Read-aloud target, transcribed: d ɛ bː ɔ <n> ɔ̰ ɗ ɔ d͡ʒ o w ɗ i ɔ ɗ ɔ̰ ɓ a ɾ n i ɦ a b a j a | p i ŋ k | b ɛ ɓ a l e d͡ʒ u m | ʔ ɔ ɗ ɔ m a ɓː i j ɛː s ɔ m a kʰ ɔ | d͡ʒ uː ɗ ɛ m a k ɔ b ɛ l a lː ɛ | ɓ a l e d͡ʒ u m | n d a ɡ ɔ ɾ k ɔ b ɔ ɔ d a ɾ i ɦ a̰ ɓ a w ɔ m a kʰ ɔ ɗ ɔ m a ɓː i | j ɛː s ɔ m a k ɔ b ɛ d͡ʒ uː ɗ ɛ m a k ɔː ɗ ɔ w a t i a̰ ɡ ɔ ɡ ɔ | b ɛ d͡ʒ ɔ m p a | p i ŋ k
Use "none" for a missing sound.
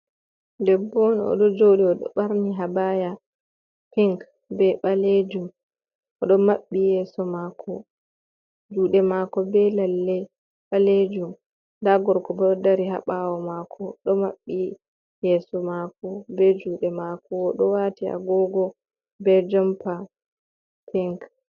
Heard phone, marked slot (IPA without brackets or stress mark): n